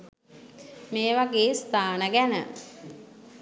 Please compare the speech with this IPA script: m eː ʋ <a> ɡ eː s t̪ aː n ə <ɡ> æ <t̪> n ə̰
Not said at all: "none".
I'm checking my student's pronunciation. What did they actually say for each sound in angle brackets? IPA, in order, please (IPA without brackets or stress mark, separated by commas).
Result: a, ɡ, none